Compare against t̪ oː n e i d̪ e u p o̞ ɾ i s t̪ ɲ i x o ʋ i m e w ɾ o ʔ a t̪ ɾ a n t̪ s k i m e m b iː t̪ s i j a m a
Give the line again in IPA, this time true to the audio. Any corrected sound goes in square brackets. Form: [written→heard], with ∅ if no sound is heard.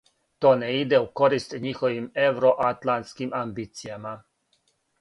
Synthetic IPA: t̪ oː n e i d̪ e u [p→k] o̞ ɾ i s t̪ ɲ i x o ʋ i m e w ɾ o ʔ a t̪ [ɾ→l] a n t̪ s k i m [e→a] m b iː t̪ s i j a m a